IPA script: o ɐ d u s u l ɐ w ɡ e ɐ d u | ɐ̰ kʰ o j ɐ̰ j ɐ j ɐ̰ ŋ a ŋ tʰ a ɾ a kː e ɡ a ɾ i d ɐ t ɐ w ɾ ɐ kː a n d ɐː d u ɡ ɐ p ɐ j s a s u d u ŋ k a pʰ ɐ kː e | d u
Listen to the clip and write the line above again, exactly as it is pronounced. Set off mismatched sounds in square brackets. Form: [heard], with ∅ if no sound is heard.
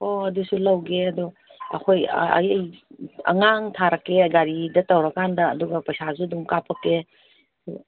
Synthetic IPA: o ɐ d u s u l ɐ w ɡ e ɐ d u | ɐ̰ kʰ o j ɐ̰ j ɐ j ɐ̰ ŋ a ŋ tʰ a ɾ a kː e ɡ a ɾ i d ɐ t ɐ w ɾ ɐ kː a n d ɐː d u ɡ ɐ p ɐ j s a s u d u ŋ k a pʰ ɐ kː e | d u